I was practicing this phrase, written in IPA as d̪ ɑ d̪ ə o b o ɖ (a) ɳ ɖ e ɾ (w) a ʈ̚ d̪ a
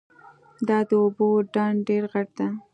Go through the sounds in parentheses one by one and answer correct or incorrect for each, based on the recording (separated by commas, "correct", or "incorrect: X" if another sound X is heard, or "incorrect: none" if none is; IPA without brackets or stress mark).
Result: incorrect: ɑ, incorrect: ɣ